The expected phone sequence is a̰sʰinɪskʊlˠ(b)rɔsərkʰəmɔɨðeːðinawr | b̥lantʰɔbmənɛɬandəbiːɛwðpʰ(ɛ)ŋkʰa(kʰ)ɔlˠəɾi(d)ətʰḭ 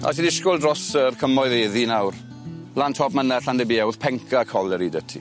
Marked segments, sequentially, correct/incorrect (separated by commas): incorrect, correct, correct, correct